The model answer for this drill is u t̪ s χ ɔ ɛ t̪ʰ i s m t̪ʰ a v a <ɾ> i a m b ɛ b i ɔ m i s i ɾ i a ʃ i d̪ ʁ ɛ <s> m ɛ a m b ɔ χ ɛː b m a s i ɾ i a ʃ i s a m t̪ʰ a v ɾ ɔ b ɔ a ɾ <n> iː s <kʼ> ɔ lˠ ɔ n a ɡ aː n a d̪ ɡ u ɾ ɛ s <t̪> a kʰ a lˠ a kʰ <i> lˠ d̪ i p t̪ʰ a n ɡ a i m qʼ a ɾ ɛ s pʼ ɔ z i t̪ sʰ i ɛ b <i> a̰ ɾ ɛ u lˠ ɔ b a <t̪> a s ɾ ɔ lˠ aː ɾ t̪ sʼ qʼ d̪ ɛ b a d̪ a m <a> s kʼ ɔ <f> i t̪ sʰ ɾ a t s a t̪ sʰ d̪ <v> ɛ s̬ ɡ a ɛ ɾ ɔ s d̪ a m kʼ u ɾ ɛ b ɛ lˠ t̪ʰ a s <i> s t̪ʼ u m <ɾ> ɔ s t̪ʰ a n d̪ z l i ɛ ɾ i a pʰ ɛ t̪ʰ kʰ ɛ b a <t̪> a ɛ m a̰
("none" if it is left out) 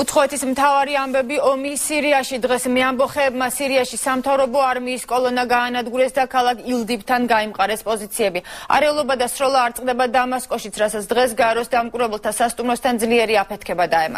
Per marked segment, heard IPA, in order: ɾ, s, m, kʼ, d̪, i, i, d̪, a, ʃ, ʁ, a, ɾ, d̪

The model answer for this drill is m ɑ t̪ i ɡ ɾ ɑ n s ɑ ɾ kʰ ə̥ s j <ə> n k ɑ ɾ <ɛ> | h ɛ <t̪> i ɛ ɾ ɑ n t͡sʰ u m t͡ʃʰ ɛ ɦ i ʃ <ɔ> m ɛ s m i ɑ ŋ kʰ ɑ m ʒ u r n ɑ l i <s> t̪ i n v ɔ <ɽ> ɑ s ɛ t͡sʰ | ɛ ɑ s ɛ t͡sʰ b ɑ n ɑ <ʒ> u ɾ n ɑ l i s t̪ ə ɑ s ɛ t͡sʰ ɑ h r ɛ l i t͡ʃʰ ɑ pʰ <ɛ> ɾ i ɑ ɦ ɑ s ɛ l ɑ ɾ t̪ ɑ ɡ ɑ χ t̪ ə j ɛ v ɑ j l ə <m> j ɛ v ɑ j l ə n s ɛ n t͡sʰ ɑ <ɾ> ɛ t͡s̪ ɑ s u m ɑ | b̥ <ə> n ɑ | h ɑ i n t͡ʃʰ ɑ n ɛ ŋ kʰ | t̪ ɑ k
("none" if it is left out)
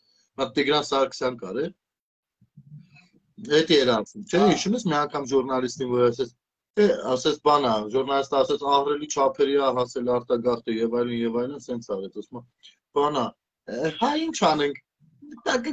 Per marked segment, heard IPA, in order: ɑ, ɛ, t̪, u, s, ɾ, ʒ, ɛ, n, ɾ, ɑ

